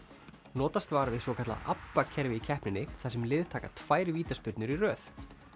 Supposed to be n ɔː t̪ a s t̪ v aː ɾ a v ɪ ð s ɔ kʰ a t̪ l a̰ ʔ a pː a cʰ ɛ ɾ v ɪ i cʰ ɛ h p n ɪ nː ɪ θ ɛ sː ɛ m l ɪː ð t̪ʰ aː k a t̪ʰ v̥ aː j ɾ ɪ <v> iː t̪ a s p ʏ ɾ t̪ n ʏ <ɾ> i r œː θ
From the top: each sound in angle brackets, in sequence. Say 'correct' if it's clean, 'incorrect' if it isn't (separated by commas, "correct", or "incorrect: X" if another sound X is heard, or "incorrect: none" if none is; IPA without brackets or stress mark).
correct, correct